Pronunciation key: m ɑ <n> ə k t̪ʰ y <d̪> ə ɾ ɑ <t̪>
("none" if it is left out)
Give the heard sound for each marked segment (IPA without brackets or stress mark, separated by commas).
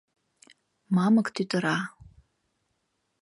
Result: m, t̪, none